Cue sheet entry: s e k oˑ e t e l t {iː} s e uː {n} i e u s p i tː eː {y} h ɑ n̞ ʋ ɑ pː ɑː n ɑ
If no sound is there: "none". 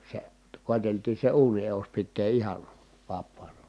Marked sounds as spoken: iː, n, i

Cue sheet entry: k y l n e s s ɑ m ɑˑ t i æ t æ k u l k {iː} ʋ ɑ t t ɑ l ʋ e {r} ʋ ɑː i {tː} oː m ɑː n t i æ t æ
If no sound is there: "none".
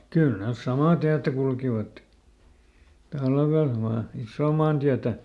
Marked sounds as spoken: i, l, sː

